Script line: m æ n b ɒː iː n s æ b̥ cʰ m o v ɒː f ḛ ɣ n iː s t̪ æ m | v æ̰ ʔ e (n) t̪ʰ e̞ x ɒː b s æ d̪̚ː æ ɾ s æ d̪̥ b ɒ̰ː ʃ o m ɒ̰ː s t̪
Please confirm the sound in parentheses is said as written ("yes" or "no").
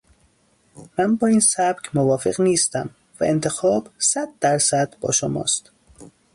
yes